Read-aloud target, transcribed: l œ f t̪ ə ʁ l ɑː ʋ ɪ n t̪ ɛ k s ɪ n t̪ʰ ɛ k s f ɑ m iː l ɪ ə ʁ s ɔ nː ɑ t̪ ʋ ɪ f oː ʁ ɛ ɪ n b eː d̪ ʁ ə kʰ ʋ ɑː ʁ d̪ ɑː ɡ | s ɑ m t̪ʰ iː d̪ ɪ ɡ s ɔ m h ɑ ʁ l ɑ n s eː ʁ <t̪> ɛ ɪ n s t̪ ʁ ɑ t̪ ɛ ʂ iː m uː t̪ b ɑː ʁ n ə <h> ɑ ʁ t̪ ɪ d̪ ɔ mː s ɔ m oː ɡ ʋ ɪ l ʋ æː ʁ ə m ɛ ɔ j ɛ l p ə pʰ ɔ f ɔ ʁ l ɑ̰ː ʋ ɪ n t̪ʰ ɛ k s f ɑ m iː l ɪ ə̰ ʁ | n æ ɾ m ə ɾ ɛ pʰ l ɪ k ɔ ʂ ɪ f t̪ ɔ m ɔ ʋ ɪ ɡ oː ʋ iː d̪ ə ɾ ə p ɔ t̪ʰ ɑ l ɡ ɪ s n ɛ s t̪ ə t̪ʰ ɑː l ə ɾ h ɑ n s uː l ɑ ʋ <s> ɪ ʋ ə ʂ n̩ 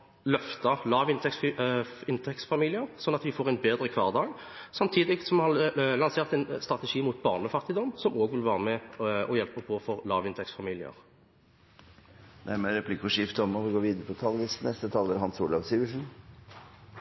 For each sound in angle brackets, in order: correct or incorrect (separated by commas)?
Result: correct, incorrect, correct